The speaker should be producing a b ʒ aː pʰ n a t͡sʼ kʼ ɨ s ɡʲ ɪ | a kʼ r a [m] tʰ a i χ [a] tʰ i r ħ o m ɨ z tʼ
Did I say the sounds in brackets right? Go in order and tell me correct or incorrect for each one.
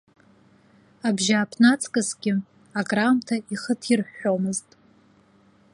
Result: correct, incorrect: ə

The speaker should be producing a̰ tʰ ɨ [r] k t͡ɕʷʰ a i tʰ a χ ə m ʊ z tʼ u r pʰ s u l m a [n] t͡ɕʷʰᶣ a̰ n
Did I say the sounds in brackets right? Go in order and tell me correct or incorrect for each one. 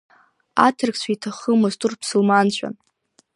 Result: correct, correct

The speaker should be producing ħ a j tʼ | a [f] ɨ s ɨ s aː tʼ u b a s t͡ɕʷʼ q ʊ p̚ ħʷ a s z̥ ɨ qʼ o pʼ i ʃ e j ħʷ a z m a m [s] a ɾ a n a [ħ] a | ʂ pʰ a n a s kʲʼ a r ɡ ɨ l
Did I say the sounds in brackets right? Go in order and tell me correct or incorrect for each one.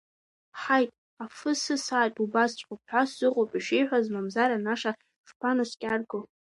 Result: correct, incorrect: z, incorrect: ʂ

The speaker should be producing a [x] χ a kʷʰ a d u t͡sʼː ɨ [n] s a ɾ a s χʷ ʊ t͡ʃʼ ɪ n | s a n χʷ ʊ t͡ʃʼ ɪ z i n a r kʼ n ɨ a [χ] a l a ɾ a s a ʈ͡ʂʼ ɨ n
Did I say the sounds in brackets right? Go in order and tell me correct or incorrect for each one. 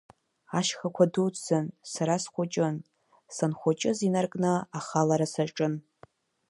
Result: incorrect: ʃ, correct, correct

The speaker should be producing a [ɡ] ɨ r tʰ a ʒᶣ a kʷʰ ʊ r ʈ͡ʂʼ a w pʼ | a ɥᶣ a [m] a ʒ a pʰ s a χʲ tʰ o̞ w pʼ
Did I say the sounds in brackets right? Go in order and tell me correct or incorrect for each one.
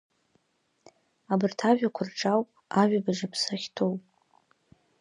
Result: incorrect: b, incorrect: b

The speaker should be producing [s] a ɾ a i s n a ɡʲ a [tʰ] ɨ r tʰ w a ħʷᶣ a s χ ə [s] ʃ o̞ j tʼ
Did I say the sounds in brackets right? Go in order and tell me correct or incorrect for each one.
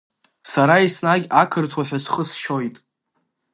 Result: correct, incorrect: kʰ, correct

